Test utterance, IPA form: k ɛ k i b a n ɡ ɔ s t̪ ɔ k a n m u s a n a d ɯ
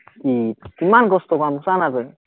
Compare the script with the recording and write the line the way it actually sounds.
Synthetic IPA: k i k i m a n ɡ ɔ s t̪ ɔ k a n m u s a n a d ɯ

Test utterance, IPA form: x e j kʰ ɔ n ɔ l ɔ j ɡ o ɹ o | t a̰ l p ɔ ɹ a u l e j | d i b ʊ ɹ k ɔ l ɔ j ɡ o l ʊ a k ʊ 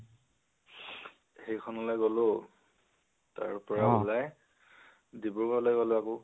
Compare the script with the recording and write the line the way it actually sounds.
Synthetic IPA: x e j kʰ ɔ n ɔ l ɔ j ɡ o l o | t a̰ ɹ p ɔ ɹ a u l a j | d i b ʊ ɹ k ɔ l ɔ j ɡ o l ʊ a k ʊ

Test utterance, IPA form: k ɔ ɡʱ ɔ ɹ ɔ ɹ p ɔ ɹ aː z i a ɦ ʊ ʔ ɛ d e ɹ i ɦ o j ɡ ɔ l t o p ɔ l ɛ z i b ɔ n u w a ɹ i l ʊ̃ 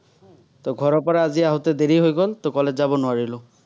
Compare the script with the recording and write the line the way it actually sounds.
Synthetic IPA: t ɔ ɡʱ ɔ ɹ ɔ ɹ p ɔ ɹ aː z i a ɦ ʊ t ɛ d e ɹ i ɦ o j ɡ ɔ l t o k ɔ l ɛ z a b ɔ n ʊ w a ɹ i l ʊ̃

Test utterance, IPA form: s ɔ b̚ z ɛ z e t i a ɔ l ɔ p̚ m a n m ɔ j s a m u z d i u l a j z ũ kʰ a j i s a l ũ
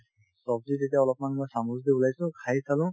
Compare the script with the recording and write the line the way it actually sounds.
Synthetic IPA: s ɔ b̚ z i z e t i a ɔ l ɔ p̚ m a n m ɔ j s a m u z d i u l a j s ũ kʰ a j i s a l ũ

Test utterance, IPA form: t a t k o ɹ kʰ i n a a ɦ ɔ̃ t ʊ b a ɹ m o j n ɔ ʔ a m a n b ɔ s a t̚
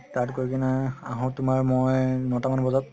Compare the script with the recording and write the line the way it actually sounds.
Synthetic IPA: t a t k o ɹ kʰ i n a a ɦ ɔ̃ t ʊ m a ɹ m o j n ɔ t a m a n b ɔ z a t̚

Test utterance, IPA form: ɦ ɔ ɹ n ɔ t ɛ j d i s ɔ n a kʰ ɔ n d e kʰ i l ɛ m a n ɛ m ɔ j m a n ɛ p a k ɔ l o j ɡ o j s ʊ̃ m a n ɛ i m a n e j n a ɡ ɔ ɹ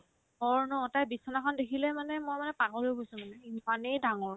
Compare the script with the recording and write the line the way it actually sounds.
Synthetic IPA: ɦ ɔ ɹ n ɔ t a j b i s ɔ n a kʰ ɔ n d e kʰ i l ɛ m a n ɛ m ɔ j m a n ɛ p a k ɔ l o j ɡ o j s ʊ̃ m a n ɛ i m a n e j d a ŋ ɔ ɹ

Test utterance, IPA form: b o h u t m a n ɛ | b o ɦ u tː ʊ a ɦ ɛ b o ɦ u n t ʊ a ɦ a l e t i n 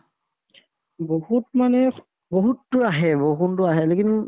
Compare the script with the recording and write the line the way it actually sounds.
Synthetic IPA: b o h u t m a n ɛ | b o ɦ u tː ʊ a ɦ ɛ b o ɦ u n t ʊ a ɦ ɛ l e k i n

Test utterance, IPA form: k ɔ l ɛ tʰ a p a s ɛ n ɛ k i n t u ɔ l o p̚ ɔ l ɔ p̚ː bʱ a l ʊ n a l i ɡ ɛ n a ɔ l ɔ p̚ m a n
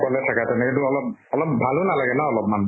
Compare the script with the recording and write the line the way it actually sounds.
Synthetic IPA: k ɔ l ɛ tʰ a k a t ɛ n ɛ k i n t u ɔ l ɔ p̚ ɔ l ɔ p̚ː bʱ a l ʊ n a l a ɡ ɛ n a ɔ l ɔ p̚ m a n

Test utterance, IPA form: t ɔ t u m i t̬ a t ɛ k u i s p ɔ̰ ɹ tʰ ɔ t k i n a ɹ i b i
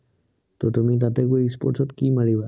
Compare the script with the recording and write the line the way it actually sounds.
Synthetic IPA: t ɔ t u m i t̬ a t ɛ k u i s p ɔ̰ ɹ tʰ ɔ t k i m a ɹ i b a

